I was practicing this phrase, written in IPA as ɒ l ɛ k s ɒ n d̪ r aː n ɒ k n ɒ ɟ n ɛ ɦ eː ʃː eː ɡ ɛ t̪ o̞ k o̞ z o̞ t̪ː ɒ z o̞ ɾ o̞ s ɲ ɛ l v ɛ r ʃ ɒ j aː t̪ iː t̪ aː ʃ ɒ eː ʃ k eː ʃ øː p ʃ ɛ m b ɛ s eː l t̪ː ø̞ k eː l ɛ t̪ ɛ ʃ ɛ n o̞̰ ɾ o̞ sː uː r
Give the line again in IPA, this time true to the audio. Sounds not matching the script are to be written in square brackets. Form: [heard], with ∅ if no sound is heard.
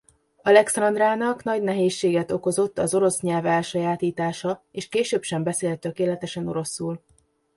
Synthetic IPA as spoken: ɒ l ɛ k s ɒ n d̪ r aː n ɒ k n ɒ ɟ n ɛ ɦ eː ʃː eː ɡ ɛ t̪ o̞ k o̞ z o̞ t̪ː ɒ z o̞ ɾ o̞ s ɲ ɛ l v ɛ [l] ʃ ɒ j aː t̪ iː t̪ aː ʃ ɒ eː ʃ k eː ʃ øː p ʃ ɛ m b ɛ s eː l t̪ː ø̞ k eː l ɛ t̪ ɛ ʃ ɛ n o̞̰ ɾ o̞ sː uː [l]